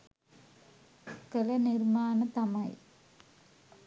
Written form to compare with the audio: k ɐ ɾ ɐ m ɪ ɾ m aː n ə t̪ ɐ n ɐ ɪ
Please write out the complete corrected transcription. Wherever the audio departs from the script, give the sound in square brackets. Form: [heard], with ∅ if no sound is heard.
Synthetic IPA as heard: k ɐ [l] ɐ [n] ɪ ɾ m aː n [ɐ] t̪ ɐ [m] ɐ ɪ